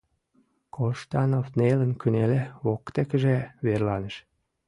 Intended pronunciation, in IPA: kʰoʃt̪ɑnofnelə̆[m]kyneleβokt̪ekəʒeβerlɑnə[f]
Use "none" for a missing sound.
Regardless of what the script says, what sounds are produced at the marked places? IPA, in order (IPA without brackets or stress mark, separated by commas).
n, ʃ